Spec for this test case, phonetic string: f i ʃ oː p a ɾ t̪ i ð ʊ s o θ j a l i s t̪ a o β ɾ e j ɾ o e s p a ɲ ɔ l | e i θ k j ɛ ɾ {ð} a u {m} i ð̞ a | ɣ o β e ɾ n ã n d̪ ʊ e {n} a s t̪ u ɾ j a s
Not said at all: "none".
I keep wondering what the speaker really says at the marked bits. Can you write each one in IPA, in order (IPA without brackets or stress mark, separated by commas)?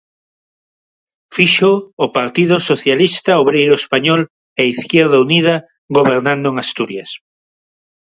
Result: ð, n, ŋ